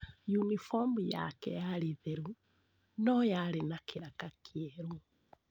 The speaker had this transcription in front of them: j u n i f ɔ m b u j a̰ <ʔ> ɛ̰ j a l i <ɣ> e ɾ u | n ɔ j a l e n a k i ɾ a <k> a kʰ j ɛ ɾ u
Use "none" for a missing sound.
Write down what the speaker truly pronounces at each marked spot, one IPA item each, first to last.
k, ð, k

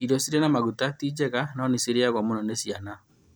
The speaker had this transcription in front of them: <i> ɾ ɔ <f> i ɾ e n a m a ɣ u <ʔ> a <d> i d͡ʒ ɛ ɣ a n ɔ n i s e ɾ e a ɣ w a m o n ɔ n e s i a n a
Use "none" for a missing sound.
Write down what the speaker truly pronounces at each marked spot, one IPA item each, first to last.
i, s, t, t

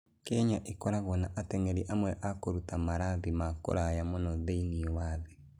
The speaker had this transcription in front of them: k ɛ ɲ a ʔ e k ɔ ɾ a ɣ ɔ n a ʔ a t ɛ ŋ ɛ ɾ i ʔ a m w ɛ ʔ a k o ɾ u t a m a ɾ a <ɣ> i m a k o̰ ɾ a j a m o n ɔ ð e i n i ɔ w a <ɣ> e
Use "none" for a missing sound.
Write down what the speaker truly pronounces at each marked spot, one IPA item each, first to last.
ð, ð

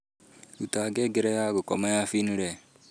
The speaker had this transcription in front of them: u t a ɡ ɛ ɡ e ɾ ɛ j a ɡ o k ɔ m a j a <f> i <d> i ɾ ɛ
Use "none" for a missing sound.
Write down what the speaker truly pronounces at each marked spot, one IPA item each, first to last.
f, n

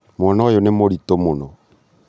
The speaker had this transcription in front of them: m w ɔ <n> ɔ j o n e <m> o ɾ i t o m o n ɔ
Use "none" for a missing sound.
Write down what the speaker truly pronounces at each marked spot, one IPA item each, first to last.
n, m

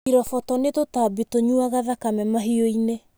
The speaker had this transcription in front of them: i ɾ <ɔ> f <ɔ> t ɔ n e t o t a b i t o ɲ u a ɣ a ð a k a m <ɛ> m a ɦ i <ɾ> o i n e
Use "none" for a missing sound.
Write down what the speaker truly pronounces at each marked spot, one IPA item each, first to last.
ɔ, ɔ, ɛ, none

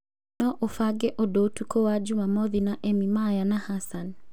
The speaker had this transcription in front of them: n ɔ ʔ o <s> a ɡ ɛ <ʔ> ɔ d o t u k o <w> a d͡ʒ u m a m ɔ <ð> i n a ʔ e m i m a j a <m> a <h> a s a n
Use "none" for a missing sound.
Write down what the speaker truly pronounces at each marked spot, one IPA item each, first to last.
f, ʔ, w, ð, n, h

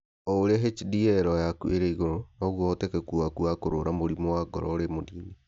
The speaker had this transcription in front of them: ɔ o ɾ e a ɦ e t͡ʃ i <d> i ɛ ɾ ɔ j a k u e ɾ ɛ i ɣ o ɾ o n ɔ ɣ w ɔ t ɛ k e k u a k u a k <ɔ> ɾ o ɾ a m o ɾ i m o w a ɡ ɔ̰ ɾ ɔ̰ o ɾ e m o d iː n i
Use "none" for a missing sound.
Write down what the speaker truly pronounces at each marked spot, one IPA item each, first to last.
d, o

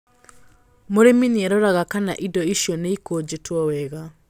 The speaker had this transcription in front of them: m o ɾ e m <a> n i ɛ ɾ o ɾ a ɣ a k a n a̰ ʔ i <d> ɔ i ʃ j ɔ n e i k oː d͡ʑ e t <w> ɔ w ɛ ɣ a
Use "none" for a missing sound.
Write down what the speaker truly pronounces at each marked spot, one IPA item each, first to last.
i, d, w

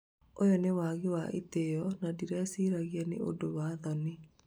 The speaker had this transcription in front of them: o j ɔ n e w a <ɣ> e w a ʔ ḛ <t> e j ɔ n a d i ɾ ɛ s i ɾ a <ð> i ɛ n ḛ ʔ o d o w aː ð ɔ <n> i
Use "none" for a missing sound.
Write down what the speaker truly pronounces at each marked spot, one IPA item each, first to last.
ɣ, t, ɣ, n

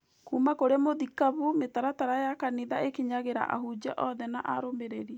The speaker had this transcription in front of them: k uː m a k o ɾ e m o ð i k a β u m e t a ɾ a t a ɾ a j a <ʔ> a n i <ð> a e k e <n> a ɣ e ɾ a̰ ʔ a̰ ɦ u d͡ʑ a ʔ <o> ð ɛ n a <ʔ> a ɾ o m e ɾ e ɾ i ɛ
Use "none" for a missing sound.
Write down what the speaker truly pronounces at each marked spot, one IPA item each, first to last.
k, ð, ɲ, ɔ, ʔ

